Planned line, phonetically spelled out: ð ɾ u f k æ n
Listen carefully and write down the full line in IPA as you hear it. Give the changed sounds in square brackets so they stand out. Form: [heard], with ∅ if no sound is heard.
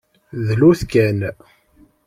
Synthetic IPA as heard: ð [l] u [θ] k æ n